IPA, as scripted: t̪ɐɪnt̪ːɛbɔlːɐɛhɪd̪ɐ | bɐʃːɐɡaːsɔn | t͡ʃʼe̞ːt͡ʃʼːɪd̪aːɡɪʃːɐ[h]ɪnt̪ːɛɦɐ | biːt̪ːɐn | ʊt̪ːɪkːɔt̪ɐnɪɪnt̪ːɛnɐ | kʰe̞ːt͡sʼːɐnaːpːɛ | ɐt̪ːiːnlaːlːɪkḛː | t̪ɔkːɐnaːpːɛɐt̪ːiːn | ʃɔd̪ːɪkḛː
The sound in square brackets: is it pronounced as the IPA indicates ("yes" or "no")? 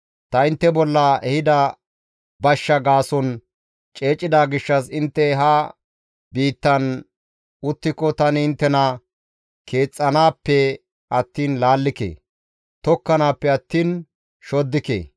no